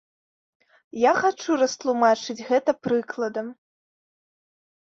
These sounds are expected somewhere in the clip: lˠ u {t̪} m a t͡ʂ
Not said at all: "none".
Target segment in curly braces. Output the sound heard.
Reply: none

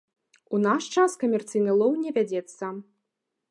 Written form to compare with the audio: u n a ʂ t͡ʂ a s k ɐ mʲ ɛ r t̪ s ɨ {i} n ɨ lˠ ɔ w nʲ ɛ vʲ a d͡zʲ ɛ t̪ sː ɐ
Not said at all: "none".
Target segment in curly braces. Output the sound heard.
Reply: j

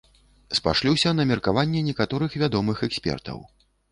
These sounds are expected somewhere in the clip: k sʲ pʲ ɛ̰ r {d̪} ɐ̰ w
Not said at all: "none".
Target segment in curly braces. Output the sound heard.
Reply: t̪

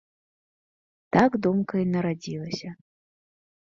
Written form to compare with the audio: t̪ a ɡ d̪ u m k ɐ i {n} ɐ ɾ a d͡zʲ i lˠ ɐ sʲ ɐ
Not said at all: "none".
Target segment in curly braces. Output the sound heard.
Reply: n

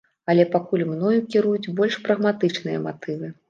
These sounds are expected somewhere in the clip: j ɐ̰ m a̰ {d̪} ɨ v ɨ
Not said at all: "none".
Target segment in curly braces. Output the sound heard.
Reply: t̪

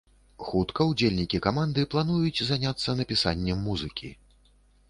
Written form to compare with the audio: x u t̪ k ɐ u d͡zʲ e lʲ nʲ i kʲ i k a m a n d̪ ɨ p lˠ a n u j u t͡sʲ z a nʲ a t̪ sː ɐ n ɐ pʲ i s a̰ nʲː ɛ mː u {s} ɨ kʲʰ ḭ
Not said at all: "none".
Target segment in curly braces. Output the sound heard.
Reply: z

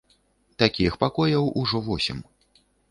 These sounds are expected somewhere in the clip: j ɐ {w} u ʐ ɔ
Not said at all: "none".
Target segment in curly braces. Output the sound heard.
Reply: w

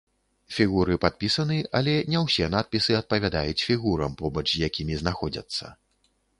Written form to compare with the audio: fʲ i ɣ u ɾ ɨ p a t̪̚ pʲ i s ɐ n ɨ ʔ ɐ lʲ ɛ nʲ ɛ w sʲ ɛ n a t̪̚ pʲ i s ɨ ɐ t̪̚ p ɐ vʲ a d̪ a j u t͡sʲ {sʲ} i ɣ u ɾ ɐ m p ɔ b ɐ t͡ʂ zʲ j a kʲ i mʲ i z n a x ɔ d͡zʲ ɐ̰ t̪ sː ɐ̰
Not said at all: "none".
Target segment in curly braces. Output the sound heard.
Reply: fʲ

